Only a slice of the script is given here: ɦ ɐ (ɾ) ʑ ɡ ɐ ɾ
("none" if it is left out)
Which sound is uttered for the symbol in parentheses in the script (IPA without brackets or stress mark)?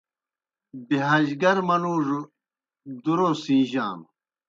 none